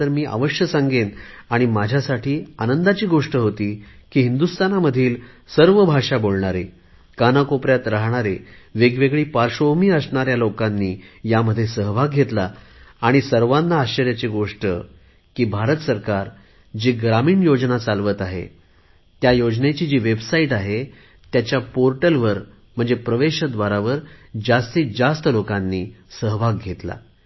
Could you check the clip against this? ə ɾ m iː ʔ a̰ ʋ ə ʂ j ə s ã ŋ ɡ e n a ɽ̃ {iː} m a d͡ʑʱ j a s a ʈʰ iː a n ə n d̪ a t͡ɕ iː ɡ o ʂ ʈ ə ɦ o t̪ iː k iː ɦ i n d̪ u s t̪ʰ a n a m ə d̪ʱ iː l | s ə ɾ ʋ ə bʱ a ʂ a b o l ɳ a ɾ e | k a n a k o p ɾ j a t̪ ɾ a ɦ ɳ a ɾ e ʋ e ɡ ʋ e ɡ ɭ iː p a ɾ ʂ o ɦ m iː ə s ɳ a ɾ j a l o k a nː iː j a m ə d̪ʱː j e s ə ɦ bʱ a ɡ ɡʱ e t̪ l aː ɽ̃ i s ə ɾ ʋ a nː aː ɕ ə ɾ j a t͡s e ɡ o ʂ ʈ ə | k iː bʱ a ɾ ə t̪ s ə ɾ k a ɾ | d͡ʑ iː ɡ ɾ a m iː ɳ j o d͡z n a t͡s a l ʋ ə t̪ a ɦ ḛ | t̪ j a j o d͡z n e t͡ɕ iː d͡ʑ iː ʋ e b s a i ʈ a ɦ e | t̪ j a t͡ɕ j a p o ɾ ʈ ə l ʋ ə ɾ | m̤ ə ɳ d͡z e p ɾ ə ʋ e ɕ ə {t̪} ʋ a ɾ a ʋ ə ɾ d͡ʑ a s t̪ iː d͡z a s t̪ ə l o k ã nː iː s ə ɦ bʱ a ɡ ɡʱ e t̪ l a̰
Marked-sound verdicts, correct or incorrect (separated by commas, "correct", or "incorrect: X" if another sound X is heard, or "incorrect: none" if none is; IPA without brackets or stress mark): incorrect: i, incorrect: d̪